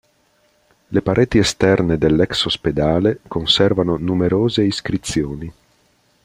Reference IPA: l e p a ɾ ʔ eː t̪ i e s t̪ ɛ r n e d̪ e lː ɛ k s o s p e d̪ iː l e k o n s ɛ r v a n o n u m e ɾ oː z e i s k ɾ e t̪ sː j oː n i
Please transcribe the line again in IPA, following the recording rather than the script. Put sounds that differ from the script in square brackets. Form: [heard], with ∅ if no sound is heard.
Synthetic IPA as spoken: l e p a ɾ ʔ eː t̪ i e s t̪ ɛ r n e d̪ e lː ɛ k s o s p e d̪ [aː] l e k o n s ɛ r v a n o n u m e ɾ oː z e i s k ɾ [i] t̪ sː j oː n i